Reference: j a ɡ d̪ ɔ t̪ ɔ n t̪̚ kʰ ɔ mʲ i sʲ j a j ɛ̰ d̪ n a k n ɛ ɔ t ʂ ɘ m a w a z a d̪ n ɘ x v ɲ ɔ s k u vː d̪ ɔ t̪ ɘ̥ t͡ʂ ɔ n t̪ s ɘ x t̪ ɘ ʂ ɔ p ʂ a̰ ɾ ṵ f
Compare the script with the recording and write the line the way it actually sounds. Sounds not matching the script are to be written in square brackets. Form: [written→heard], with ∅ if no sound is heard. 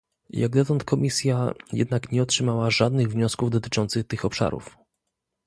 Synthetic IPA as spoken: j a ɡ d̪ ɔ t̪ ɔ n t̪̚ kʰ ɔ mʲ i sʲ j a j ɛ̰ d̪ n a k [n→ɲ] ɛ ɔ t ʂ ɘ m a w a [z→ʐ] a d̪ n ɘ [x→ɣ] v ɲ ɔ s k u [vː→v] d̪ ɔ t̪ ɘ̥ t͡ʂ ɔ n t̪ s ɘ x t̪ ɘ [ʂ→x] ɔ p ʂ a̰ ɾ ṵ f

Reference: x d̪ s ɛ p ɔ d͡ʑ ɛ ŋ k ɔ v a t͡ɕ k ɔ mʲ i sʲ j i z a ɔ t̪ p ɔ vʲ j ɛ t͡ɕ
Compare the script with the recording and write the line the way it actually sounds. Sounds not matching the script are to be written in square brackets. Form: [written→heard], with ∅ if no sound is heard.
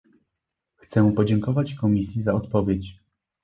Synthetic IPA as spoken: x [d̪→t̪] s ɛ p ɔ d͡ʑ ɛ ŋ k ɔ v a t͡ɕ k ɔ mʲ i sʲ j i z a ɔ t̪ p ɔ vʲ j [ɛ→e] t͡ɕ

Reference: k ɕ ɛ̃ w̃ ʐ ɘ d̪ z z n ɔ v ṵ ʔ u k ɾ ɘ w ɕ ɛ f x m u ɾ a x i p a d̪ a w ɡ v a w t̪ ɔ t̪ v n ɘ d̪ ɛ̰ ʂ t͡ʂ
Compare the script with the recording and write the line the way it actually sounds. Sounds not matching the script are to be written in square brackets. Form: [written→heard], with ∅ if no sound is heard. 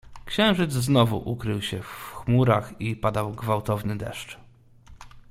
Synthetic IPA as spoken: k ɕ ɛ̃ w̃ ʐ ɘ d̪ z z n ɔ v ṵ ʔ u k ɾ ɘ w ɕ ɛ f x m u ɾ a x i p a d̪ a w ɡ v a w t̪ ɔ [t̪→∅] v n ɘ d̪ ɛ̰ ʂ t͡ʂ

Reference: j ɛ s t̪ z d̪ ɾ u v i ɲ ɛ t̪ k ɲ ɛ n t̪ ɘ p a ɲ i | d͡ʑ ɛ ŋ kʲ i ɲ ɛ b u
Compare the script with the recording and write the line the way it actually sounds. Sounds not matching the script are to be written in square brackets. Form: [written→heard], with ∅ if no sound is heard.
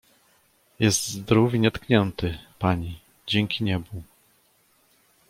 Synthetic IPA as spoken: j ɛ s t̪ z d̪ ɾ u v i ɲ ɛ t̪ k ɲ ɛ n t̪ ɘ p a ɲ i | d͡ʑ ɛ ŋ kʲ i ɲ ɛ b u

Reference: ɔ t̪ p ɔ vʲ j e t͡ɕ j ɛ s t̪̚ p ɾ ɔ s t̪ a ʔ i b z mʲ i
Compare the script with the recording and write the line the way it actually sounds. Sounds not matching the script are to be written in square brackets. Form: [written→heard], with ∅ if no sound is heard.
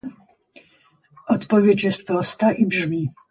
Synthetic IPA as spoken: ɔ t̪ p ɔ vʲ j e t͡ɕ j ɛ s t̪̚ p ɾ ɔ s t̪ a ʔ i b [z→ʐ] mʲ i

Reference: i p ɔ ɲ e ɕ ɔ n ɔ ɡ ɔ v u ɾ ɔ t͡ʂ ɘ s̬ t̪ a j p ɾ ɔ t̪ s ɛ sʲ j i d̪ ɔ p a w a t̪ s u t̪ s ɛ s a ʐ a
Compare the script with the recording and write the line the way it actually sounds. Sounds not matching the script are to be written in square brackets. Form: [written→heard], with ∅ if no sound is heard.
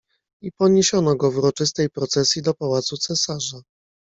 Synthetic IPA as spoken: i p ɔ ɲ e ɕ ɔ n ɔ ɡ ɔ v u ɾ ɔ t͡ʂ ɘ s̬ t̪ [a→ɛ] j p ɾ ɔ t̪ s ɛ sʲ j i d̪ ɔ p a w a t̪ s u t̪ s ɛ s a ʐ a

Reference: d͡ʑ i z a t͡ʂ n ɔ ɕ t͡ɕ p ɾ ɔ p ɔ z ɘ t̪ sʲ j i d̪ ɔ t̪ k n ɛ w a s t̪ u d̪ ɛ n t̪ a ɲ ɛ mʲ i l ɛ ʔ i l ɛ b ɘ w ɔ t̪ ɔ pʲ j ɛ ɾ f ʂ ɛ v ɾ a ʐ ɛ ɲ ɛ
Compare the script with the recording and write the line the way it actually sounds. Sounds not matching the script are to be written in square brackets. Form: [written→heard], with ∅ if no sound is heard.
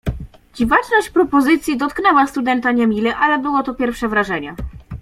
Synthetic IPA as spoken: d͡ʑ i [z→v] a t͡ʂ n ɔ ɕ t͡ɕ p ɾ ɔ p ɔ z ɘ t̪ sʲ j i d̪ ɔ t̪ k n ɛ w a s t̪ u d̪ ɛ n t̪ a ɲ ɛ mʲ i l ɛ ʔ [i→a] l ɛ b ɘ w ɔ t̪ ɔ pʲ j ɛ ɾ f ʂ ɛ v ɾ a ʐ ɛ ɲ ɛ

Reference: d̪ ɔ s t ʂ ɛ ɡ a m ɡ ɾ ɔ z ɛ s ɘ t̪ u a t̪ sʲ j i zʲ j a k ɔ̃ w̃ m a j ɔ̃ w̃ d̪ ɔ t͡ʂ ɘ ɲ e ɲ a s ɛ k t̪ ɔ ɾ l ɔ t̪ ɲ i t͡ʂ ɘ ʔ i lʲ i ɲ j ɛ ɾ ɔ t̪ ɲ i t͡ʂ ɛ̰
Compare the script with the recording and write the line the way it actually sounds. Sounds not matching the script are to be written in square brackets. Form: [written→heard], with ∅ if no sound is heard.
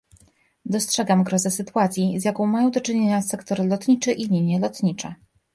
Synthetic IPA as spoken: d̪ ɔ s t ʂ ɛ ɡ a m ɡ ɾ ɔ z ɛ s ɘ t̪ u a t̪ sʲ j i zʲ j a k ɔ̃ w̃ m a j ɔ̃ w̃ d̪ ɔ t͡ʂ ɘ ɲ e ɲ a s ɛ k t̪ ɔ ɾ l ɔ t̪ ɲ i t͡ʂ ɘ ʔ i lʲ i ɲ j ɛ [ɾ→l] ɔ t̪ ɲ i t͡ʂ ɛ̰

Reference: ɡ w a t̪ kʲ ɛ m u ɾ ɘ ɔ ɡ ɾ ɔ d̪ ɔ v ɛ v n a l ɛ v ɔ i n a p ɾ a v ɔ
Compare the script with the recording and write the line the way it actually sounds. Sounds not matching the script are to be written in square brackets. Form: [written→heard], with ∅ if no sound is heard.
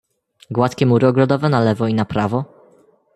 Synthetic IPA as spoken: ɡ w a t̪ kʲ ɛ m u ɾ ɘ ɔ ɡ ɾ ɔ d̪ ɔ v ɛ [v→∅] n a l ɛ v ɔ i n a p ɾ a v ɔ

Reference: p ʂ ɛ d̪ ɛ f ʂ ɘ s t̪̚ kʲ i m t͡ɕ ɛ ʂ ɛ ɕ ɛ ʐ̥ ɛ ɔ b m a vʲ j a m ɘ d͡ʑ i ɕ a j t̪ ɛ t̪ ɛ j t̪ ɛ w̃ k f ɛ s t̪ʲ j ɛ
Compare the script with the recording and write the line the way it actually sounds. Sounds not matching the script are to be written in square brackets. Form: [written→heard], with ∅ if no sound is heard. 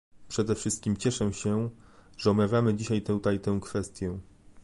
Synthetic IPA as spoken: p ʂ ɛ d̪ ɛ f ʂ ɘ s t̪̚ kʲ i m t͡ɕ ɛ ʂ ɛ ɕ ɛ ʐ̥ ɛ ɔ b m a vʲ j a m ɘ d͡ʑ i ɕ a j t̪ ɛ t̪ [ɛ→a] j t̪ ɛ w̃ k f ɛ s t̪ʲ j ɛ

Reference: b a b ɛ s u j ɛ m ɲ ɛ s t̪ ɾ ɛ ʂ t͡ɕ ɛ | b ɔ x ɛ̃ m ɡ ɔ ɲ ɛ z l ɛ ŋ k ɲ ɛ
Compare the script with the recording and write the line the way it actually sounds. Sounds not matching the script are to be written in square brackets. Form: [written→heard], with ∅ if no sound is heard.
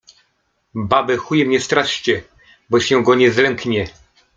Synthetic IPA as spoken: b a b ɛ [s→x] u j ɛ m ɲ ɛ s t̪ ɾ [ɛ→a] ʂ t͡ɕ ɛ | b ɔ [x→ɕ] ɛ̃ [m→∅] ɡ ɔ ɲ ɛ z l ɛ ŋ k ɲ ɛ

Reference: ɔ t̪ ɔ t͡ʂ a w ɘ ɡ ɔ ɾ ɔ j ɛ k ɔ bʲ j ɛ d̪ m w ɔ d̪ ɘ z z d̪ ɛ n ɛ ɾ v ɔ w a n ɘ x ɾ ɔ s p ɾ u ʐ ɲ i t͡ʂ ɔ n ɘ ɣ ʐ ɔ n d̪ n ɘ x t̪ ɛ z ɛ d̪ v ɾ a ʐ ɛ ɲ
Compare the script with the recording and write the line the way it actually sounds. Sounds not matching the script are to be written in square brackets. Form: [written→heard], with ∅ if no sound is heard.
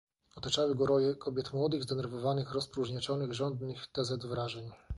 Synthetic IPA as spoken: ɔ t̪ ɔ t͡ʂ a w ɘ ɡ ɔ ɾ ɔ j ɛ k ɔ bʲ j ɛ [d̪→t̪] m w ɔ d̪ ɘ [z→ɣ] z d̪ ɛ n ɛ ɾ v ɔ [w→v] a n ɘ x ɾ ɔ s p ɾ u ʐ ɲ [i→ɛ] t͡ʂ ɔ n ɘ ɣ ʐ ɔ n d̪ n ɘ x t̪ ɛ z ɛ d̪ v ɾ a ʐ ɛ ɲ

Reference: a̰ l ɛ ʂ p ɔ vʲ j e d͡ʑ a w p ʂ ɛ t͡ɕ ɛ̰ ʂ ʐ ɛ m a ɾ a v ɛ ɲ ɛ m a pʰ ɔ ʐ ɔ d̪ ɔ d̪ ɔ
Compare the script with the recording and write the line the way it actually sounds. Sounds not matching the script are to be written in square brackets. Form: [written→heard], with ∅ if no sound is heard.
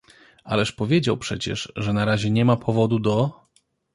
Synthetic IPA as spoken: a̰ l ɛ ʂ p ɔ vʲ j e d͡ʑ a w p ʂ ɛ t͡ɕ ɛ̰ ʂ ʐ ɛ [m→n] a ɾ a [v→ʑ] ɛ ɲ ɛ m a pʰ ɔ [ʐ→v] ɔ d̪ [ɔ→u] d̪ ɔ

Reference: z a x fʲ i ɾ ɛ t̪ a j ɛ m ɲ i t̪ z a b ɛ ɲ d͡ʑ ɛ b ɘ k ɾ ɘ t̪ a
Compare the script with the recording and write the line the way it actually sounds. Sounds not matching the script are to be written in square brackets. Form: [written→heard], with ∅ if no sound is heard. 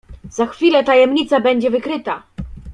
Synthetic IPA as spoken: z a x fʲ i [ɾ→l] ɛ t̪ a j ɛ m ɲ i t̪ [z→s] a b ɛ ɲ d͡ʑ ɛ [b→v] ɘ k ɾ ɘ t̪ a

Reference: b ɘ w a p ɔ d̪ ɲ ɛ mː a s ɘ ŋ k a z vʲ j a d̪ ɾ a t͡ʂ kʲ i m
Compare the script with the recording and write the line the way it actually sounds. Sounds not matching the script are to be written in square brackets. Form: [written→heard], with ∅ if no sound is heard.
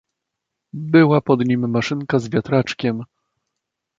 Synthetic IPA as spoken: b ɘ w a p ɔ d̪ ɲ [ɛ→i] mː a [s→ʂ] ɘ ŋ k a z vʲ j a [d̪→t̪] ɾ a t͡ʂ kʲ [i→ɛ] m

